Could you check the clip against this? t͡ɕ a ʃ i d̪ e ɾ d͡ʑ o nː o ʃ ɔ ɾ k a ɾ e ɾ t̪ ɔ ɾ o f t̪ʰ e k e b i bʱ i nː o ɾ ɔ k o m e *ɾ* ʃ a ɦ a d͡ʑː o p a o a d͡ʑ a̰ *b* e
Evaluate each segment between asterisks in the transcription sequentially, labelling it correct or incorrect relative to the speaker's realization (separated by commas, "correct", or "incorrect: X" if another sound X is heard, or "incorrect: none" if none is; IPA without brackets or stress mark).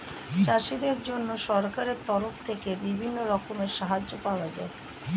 correct, incorrect: none